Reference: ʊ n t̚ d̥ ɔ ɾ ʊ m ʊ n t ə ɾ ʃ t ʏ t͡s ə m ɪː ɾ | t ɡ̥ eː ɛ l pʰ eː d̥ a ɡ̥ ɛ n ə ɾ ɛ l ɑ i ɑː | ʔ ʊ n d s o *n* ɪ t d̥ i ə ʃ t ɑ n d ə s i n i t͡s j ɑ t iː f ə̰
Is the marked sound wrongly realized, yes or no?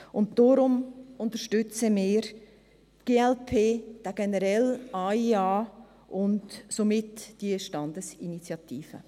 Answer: yes